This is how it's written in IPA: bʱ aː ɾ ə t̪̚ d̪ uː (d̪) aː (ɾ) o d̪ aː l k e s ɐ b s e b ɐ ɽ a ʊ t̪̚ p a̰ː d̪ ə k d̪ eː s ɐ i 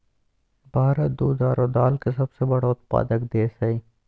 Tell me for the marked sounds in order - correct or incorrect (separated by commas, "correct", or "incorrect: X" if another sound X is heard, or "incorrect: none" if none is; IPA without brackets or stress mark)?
correct, correct